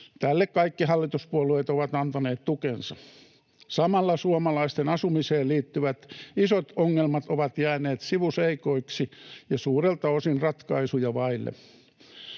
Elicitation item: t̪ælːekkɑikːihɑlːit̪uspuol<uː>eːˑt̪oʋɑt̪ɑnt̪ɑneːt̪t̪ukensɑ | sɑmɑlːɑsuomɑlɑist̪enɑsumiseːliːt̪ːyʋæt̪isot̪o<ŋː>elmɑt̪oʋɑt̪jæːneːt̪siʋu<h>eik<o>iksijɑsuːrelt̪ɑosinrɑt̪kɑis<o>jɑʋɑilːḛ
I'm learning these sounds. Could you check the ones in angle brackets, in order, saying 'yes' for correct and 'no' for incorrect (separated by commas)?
no, yes, no, yes, no